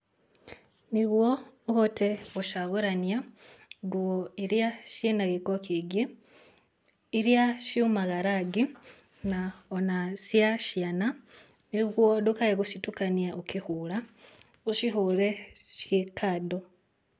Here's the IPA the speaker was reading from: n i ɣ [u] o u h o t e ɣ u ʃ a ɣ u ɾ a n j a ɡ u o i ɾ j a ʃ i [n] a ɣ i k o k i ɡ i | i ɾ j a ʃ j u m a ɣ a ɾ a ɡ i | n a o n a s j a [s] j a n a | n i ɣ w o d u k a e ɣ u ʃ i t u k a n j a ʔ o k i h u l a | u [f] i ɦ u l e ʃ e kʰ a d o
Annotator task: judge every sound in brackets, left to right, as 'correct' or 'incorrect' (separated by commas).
incorrect, correct, incorrect, incorrect